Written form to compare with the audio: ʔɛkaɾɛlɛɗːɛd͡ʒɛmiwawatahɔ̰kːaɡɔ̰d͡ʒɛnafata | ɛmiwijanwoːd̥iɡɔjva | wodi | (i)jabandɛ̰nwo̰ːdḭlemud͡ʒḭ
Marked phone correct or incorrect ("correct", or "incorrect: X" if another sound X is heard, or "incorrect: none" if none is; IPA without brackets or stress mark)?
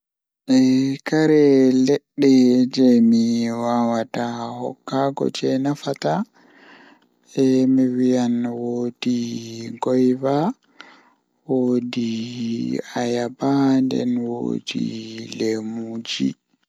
incorrect: a